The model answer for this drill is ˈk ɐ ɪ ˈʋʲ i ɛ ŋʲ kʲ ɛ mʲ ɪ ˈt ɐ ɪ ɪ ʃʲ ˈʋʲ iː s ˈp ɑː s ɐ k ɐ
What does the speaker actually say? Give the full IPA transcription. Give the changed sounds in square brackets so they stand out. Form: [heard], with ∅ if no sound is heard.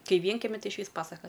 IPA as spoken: ˈk ɐ ɪ ˈʋʲ i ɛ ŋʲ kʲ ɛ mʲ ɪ ˈt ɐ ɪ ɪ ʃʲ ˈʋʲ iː s ˈp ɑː s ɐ k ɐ